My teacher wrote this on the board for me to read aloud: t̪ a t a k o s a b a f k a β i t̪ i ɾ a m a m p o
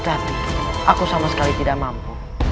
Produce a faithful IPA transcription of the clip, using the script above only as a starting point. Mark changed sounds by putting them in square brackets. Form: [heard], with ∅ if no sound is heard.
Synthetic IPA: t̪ a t a k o s a [m] a [s] k a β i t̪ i ɾ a m a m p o